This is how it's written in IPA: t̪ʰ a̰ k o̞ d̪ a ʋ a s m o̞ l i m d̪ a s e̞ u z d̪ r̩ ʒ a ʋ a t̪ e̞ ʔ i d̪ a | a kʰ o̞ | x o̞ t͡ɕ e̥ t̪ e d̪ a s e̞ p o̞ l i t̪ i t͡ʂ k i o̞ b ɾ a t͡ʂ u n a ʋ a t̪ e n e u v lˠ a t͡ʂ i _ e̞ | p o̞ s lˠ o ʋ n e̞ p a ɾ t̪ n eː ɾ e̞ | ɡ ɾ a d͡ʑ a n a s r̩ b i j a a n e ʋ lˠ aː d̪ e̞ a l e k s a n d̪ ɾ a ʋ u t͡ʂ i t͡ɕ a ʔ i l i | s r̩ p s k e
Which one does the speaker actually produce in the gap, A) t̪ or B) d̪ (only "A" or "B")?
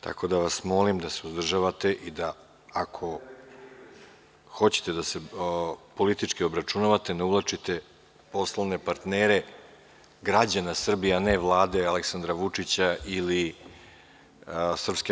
A